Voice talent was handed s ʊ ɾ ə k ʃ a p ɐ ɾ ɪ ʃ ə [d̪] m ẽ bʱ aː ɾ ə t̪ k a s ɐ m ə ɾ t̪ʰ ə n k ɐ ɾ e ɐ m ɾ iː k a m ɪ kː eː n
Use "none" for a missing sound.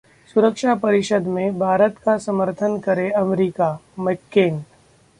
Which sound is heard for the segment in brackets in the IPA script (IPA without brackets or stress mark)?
d̪